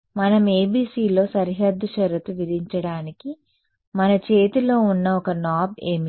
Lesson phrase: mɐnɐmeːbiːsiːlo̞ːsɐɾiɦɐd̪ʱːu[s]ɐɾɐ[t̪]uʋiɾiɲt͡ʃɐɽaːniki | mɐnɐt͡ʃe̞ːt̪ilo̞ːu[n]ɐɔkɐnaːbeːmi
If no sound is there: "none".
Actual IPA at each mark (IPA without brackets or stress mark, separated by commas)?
ʃ, t̪, nː